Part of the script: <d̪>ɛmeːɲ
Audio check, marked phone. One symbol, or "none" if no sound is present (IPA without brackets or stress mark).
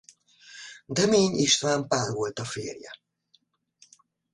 d̪